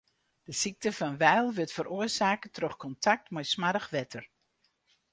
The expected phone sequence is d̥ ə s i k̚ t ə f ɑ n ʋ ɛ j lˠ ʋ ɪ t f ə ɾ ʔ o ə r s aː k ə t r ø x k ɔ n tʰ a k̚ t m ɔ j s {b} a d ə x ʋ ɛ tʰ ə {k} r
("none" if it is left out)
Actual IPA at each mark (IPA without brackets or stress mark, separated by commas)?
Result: m, none